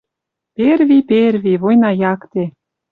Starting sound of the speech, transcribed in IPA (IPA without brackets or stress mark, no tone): p